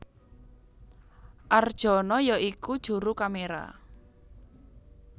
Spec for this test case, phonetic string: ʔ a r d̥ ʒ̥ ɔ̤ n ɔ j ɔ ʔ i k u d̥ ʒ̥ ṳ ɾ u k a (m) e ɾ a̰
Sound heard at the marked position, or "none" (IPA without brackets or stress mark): m